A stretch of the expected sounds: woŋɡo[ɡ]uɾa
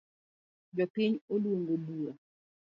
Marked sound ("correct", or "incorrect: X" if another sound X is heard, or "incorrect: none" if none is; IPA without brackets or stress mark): incorrect: b